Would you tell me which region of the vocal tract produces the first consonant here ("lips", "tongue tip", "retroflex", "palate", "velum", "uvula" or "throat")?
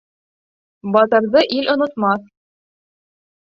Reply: lips